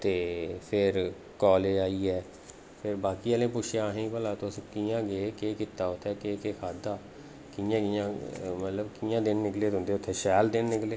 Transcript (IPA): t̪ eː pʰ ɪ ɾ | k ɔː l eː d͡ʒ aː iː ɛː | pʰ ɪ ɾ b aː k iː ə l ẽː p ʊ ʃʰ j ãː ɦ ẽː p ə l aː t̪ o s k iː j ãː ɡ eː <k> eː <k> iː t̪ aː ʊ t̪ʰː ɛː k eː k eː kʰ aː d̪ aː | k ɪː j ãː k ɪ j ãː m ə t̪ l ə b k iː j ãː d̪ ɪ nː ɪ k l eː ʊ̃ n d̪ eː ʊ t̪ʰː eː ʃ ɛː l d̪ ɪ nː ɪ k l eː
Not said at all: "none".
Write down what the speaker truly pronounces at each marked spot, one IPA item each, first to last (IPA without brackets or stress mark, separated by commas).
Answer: k, k